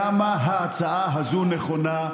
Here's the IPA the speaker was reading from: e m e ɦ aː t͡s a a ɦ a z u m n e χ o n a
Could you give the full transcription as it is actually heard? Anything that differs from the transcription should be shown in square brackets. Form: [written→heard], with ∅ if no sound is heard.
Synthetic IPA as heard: [e→a] m [e→a] ɦ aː t͡s a a ɦ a z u [m→∅] n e χ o n a